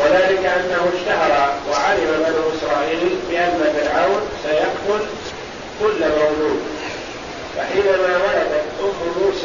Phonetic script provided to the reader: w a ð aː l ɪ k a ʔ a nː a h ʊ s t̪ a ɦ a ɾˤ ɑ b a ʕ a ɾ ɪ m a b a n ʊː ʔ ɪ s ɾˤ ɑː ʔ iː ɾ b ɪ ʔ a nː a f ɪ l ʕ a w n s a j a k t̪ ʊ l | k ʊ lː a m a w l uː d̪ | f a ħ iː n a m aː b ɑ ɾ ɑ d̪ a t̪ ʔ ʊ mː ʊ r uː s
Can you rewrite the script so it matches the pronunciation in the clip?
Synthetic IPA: w a ð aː l ɪ k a ʔ a nː a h ʊ ʃ t̪ a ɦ ɑ ɾˤ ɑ w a ʕ a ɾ ɪ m a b a n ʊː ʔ ɪ s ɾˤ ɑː ʔ iː l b ɪ ʔ a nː a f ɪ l ʕ a w n s a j a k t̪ ʊ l | k ʊ lː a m a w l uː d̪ | f a ħ iː n a m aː w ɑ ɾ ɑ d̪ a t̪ ʔ ʊ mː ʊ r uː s